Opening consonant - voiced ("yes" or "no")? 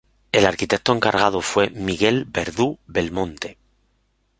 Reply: yes